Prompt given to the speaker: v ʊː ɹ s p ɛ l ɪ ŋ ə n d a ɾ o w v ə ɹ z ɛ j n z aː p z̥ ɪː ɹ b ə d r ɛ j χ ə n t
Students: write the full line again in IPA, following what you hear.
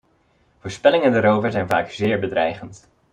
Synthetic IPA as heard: v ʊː ɹ s p ɛ l ɪ ŋ ə n d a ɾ o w v ə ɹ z ɛ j n v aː k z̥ ɪː ɹ b ə d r ɛ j χ ə n t